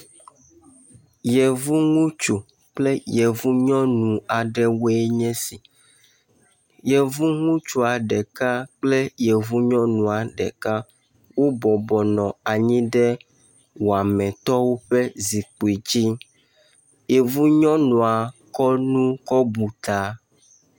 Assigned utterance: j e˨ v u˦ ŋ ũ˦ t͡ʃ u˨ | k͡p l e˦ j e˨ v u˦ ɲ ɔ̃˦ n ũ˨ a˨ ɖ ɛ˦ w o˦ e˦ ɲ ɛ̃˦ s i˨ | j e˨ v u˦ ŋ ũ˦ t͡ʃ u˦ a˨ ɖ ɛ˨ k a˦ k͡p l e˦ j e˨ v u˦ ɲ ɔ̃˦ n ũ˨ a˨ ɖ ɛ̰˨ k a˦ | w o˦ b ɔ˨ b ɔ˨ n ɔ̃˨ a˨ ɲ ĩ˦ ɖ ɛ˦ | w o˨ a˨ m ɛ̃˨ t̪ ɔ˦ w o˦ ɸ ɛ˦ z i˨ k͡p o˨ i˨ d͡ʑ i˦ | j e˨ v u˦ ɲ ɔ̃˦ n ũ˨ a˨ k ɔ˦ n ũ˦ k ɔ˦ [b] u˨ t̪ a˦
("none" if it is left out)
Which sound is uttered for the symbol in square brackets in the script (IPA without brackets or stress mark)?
b